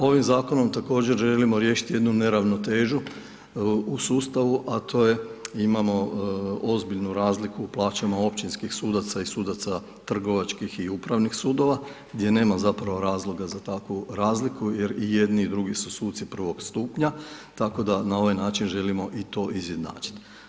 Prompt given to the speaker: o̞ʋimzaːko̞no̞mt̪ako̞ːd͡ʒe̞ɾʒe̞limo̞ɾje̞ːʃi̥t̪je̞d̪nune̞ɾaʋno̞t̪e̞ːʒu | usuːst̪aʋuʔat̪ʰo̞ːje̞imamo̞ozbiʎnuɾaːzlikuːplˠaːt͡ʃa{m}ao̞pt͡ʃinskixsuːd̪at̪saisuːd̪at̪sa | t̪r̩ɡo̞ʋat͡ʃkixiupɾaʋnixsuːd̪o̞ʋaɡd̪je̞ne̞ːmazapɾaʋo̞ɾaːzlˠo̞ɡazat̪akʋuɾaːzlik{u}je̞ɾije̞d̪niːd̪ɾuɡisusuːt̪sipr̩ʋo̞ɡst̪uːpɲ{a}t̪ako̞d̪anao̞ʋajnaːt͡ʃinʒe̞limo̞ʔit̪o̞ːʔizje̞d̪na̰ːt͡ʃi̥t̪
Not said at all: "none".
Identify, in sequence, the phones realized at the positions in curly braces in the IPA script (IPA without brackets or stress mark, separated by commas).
m, u, a